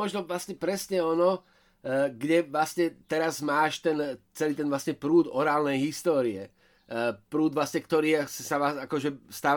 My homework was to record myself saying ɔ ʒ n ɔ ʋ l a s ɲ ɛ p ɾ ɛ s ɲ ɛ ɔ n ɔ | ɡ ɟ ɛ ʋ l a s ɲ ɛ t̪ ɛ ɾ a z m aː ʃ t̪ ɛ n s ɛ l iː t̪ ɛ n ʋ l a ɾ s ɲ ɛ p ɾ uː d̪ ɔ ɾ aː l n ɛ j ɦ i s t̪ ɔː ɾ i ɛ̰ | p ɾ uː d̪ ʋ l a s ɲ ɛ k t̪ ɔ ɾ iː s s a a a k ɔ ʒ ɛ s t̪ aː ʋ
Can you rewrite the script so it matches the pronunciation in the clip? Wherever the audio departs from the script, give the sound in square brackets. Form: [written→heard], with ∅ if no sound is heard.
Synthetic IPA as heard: ɔ ʒ n ɔ ʋ l a s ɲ ɛ p ɾ ɛ s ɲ ɛ ɔ n ɔ | ɡ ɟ ɛ ʋ l a s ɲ ɛ t̪ ɛ ɾ a z m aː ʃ t̪ ɛ n [s→t͡s] ɛ l iː t̪ ɛ n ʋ l a [ɾ→∅] s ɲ ɛ p ɾ uː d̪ ɔ ɾ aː l n ɛ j ɦ i s t̪ ɔː ɾ i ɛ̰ | p ɾ uː d̪ ʋ l a s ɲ ɛ k t̪ ɔ ɾ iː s s a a a k ɔ ʒ ɛ s t̪ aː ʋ